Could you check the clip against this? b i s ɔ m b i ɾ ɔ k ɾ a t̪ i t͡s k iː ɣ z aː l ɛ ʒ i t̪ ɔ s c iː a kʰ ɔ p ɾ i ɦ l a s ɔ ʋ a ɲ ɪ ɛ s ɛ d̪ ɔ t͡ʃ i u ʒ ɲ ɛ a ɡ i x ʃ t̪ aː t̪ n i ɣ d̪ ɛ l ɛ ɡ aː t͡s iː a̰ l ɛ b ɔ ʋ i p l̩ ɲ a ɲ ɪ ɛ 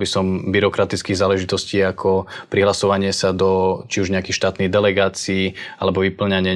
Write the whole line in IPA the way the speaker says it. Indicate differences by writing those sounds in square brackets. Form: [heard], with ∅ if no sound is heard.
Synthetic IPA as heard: b i s ɔ m b i ɾ ɔ k ɾ a t̪ i t͡s k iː ɣ z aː l ɛ ʒ i t̪ ɔ s c iː a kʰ ɔ p ɾ i ɦ l a s ɔ ʋ a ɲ ɪ ɛ s [a] d̪ ɔ t͡ʃ i u ʒ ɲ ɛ a [k] i x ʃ t̪ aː t̪ n i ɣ d̪ ɛ l ɛ ɡ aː t͡s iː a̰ l ɛ b ɔ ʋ i p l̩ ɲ a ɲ ɪ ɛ